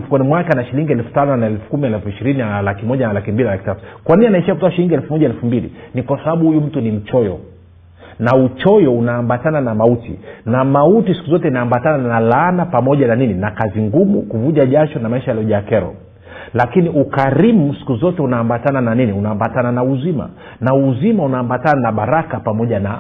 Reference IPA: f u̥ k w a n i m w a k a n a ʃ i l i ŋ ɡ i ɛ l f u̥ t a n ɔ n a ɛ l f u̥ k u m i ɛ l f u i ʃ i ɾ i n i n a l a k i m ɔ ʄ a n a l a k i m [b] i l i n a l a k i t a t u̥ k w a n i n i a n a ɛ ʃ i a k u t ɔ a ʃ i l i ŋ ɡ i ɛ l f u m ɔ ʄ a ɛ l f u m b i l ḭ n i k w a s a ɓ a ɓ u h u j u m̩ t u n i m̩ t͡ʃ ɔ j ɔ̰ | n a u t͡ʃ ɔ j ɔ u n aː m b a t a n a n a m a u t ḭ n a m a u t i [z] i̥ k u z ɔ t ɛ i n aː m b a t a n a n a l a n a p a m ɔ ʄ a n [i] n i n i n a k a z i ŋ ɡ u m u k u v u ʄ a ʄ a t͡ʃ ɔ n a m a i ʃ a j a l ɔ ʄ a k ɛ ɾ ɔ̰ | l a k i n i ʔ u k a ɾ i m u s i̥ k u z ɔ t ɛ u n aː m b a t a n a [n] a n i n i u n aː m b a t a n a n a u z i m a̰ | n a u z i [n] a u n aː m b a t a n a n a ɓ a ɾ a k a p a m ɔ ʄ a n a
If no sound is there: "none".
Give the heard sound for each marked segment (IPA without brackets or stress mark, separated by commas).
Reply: b, s, a, n, m